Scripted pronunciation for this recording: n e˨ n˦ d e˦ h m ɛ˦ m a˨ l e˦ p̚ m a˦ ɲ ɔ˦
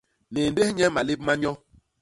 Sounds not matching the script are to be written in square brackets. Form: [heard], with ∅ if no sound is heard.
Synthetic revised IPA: n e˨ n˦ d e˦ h [ɲ] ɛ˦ m a˨ l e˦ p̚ m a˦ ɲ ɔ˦